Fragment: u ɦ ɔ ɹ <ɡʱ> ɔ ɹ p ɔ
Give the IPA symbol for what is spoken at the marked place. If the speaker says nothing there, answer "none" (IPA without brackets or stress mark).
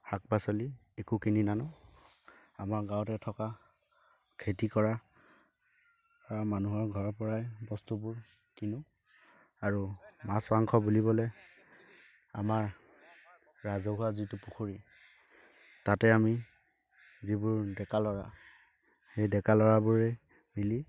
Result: ɡʱ